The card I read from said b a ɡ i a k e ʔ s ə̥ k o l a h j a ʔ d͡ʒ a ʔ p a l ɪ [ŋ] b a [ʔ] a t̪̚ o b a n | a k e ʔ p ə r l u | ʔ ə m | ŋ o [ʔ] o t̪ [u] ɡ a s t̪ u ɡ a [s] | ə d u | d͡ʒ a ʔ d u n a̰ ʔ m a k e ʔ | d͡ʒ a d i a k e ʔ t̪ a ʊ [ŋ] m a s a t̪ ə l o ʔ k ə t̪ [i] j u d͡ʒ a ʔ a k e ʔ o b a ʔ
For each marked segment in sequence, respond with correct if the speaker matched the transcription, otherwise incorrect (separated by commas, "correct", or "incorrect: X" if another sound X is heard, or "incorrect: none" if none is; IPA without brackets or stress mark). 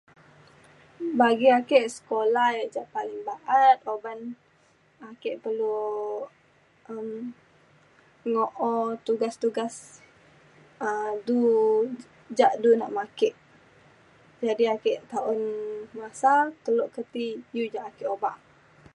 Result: correct, correct, correct, correct, correct, incorrect: n, correct